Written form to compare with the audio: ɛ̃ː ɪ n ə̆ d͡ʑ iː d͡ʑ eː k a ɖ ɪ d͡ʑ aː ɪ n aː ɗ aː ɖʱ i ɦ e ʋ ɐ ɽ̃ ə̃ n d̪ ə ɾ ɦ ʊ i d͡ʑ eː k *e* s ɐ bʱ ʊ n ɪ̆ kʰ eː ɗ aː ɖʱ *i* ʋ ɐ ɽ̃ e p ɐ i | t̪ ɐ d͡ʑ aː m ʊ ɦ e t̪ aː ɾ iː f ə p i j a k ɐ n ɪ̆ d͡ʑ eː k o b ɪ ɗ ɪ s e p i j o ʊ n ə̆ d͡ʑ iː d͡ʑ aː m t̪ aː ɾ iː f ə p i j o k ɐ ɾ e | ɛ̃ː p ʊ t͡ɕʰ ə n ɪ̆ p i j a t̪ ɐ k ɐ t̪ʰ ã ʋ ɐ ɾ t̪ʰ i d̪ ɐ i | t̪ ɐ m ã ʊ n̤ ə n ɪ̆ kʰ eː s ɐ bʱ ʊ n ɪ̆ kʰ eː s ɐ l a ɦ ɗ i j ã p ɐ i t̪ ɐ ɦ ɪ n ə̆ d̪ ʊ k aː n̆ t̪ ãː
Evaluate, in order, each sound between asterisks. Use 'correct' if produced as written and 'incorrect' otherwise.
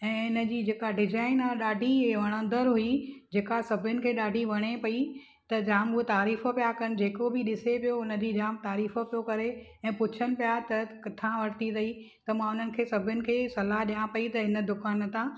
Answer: incorrect, correct

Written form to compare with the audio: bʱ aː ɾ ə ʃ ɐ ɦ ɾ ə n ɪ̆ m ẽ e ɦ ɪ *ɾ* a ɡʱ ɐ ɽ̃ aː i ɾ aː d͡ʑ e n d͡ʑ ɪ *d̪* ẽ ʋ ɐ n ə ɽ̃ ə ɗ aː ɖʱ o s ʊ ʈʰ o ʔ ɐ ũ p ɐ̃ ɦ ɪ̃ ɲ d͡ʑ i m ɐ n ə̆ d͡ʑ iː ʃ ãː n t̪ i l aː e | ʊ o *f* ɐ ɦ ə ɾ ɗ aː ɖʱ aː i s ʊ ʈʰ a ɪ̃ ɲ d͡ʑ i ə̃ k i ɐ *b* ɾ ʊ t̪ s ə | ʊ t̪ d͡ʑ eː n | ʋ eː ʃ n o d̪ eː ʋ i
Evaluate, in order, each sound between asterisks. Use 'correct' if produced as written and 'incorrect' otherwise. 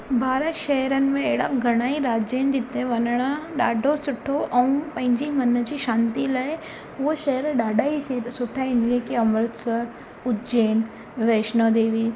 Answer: incorrect, incorrect, incorrect, incorrect

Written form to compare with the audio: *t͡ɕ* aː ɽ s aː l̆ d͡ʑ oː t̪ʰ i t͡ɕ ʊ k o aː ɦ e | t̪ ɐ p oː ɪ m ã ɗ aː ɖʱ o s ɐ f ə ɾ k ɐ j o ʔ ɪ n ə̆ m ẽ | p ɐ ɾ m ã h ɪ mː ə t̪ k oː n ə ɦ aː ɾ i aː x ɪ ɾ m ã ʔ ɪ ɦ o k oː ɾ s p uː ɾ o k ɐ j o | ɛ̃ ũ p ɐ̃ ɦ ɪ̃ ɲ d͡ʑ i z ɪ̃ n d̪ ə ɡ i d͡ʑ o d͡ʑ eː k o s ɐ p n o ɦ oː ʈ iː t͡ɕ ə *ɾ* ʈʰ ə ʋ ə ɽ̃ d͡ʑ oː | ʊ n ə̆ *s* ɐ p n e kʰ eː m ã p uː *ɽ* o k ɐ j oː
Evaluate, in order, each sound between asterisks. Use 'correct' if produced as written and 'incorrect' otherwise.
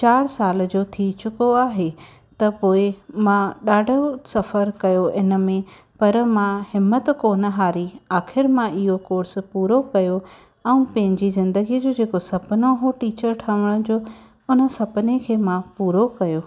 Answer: correct, correct, correct, incorrect

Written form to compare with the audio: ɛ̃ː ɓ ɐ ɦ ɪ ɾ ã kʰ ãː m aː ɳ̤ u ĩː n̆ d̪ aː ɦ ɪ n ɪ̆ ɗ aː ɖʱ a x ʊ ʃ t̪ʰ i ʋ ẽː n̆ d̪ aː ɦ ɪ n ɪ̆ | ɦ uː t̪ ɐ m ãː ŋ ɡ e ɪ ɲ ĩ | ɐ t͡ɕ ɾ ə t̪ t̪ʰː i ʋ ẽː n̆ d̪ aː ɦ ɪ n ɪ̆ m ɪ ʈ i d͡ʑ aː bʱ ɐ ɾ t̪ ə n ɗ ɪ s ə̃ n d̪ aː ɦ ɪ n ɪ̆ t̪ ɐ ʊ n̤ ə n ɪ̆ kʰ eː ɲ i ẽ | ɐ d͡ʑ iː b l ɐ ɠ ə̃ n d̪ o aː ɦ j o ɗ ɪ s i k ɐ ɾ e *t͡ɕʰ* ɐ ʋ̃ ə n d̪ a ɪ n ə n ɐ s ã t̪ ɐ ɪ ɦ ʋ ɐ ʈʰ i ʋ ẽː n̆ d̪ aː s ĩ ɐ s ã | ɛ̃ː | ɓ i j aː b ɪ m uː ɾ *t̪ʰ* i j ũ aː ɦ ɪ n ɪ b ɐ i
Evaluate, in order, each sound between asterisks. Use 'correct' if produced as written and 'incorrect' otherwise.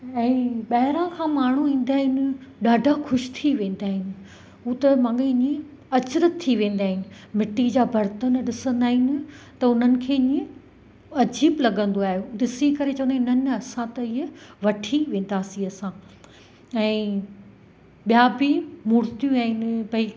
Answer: incorrect, incorrect

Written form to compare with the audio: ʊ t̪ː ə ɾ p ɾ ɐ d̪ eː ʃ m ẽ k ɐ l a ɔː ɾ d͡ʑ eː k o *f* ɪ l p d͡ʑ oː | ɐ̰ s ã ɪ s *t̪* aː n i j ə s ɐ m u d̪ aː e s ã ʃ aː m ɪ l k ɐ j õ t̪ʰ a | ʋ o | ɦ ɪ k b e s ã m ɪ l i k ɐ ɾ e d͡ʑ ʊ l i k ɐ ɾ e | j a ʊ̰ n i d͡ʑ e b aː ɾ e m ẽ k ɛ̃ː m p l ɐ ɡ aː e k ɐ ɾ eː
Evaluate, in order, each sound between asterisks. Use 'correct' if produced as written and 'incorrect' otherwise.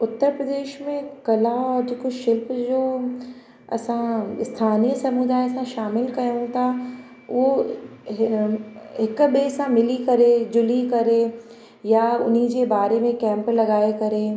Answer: incorrect, incorrect

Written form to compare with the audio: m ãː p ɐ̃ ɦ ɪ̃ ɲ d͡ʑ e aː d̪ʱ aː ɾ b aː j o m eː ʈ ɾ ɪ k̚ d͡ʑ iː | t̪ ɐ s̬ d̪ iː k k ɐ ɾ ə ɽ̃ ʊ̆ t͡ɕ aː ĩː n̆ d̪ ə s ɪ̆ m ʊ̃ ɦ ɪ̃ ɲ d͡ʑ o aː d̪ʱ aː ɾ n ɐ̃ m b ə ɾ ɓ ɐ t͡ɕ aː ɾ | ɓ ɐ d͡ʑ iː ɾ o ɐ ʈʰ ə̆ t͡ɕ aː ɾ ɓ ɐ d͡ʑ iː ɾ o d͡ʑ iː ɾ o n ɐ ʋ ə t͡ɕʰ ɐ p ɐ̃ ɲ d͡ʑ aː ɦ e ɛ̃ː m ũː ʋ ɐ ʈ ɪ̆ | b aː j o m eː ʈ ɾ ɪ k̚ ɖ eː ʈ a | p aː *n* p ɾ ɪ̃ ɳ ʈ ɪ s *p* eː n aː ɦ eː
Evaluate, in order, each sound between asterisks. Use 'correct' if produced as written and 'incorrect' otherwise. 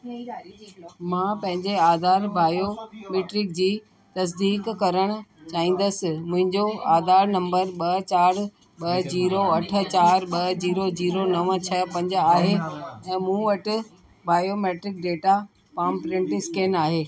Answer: incorrect, incorrect

